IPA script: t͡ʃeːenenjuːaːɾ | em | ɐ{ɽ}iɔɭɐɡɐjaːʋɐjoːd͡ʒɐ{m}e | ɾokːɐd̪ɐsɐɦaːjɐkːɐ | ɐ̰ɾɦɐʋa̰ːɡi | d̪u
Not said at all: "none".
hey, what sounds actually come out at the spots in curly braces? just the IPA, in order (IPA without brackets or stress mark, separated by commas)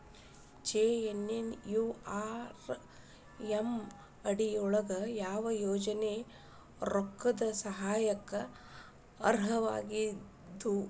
ɽ, n